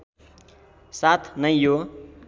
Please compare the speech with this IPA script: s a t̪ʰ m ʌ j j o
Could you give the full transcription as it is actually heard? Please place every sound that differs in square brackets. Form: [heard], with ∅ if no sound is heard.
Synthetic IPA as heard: s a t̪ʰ [n] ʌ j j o

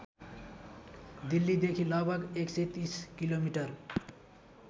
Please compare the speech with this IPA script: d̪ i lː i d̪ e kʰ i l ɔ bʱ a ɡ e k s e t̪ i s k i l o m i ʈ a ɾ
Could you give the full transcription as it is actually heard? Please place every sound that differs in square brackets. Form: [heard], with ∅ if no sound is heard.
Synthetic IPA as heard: d̪ i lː i d̪ e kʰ i l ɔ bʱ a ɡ e k s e t̪ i s k i l o m i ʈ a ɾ

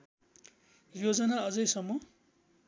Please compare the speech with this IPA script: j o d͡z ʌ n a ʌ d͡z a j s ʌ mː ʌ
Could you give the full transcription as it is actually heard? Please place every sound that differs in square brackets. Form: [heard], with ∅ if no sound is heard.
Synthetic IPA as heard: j o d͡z ʌ n a ʌ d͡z [ʌ] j s ʌ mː ʌ

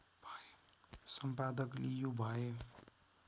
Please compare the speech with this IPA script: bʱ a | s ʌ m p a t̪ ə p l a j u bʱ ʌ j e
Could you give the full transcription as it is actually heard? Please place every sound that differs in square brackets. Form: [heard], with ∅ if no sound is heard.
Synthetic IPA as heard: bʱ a | s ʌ m p a [d̪] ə [k] l [i] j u bʱ [a] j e

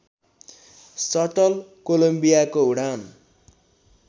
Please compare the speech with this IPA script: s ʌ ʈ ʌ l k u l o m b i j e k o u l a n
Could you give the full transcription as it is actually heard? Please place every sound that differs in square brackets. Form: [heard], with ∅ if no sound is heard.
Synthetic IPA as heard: s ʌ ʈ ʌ l k [o] l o m b i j [a] k o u [ɽ] a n

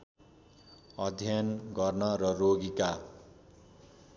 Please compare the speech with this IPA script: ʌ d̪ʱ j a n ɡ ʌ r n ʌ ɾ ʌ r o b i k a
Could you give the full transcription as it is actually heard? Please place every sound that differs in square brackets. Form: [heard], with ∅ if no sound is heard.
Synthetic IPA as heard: ʌ d̪ʱ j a n ɡ ʌ r n ʌ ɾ ʌ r o [ɡ] i k a

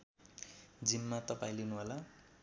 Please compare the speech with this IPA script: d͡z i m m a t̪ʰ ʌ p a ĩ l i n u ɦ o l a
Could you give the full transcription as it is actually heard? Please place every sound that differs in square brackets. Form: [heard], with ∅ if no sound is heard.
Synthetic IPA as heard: d͡z i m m a [t̪] ʌ p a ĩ l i n u ɦ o l a

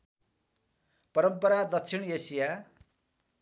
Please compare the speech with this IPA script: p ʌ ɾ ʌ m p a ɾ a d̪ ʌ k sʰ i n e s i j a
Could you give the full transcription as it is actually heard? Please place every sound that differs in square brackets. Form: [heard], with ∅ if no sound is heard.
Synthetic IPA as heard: p ʌ ɾ ʌ m p [ʌ] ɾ a d̪ ʌ k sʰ i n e s i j a

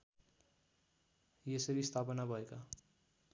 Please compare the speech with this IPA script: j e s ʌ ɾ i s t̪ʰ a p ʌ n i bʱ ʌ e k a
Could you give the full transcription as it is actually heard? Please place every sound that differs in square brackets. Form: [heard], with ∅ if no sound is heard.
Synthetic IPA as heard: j e s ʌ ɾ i s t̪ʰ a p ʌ n [a] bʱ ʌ e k a

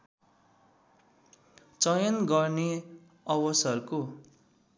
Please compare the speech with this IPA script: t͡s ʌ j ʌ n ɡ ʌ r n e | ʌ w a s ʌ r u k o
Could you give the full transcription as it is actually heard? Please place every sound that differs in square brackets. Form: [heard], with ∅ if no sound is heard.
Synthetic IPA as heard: t͡s ʌ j ʌ n ɡ ʌ r n e | ʌ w [ʌ] s ʌ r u k o

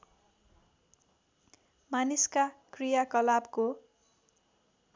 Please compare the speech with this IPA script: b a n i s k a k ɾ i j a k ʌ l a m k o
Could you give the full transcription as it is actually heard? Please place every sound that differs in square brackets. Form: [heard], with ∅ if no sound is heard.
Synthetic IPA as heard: [m] a n i s k a k [r] i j a k ʌ l a [b] k o

